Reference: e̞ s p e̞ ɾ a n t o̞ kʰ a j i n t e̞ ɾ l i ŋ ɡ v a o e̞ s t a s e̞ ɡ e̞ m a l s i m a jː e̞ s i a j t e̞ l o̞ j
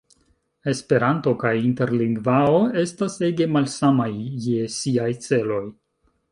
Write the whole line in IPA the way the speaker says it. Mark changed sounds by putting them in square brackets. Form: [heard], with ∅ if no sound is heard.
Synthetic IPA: e̞ s p e̞ ɾ a n t o̞ [k] a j i n t e̞ ɾ l i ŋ ɡ v a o e̞ s t a s e̞ ɡ e̞ m a l s [a] m a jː e̞ s i a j [t͡s] e̞ l o̞ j